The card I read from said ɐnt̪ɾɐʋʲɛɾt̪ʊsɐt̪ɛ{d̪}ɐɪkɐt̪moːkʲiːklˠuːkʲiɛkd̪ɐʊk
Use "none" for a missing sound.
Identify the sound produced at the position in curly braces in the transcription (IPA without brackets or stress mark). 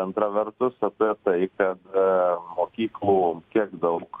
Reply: t̪